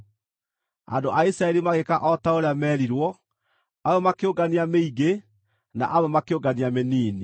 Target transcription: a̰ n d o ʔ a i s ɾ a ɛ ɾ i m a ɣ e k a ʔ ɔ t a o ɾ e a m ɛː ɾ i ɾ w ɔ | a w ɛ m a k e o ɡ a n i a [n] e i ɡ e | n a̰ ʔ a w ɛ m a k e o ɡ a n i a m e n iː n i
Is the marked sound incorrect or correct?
incorrect: m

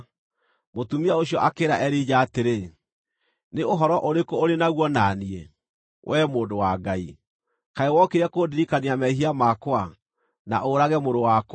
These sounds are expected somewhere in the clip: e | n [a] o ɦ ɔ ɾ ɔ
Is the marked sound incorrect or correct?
incorrect: e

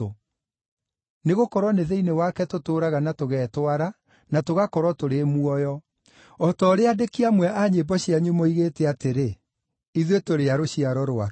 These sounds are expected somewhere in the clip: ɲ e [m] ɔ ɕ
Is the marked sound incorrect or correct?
incorrect: b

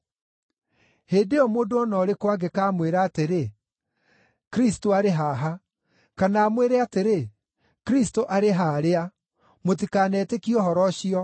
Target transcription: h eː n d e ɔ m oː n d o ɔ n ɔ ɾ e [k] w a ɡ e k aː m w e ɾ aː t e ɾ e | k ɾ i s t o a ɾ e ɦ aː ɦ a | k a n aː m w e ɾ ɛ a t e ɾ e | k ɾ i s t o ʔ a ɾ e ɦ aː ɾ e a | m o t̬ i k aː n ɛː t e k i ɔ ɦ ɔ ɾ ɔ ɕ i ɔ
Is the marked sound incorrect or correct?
correct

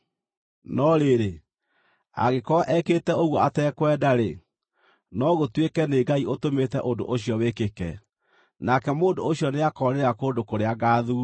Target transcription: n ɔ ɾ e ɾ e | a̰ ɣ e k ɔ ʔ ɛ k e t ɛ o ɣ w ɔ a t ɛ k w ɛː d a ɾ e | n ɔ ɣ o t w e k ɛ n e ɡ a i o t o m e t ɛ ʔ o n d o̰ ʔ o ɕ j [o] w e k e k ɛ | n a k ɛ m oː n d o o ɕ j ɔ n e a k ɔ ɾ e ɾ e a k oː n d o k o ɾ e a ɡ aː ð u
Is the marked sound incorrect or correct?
incorrect: ɔ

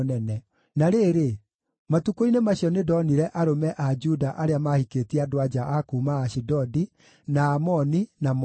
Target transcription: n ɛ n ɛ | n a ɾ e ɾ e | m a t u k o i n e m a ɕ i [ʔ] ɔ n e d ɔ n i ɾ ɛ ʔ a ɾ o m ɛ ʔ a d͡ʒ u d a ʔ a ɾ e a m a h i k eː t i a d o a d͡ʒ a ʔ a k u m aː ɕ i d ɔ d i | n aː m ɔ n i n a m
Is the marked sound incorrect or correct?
incorrect: none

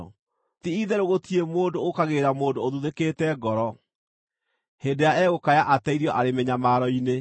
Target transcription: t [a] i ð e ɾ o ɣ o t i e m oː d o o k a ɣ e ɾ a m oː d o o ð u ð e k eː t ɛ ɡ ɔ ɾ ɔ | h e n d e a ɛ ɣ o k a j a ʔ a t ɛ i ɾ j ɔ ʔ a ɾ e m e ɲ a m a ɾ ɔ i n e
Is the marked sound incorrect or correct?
incorrect: i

